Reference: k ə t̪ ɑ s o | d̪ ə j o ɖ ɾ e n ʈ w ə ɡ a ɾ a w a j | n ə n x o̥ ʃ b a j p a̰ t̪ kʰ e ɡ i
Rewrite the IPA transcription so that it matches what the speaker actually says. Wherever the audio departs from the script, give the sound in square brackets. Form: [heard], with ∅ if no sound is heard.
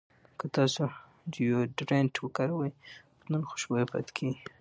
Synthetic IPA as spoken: k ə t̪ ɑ s o | d̪ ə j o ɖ ɾ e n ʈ w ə [k] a ɾ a w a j | n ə n x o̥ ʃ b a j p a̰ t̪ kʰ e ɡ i